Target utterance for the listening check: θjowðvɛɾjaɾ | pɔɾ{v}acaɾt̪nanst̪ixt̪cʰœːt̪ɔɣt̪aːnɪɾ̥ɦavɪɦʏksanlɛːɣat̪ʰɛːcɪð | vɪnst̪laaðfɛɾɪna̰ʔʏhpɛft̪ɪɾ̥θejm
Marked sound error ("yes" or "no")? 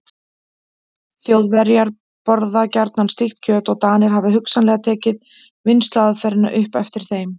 yes